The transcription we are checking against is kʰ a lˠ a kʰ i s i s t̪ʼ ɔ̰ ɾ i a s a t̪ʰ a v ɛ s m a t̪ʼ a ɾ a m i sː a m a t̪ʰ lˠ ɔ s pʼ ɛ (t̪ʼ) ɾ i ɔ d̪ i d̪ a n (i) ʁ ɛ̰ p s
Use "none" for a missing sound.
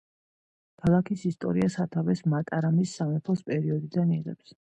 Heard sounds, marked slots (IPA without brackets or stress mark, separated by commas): none, i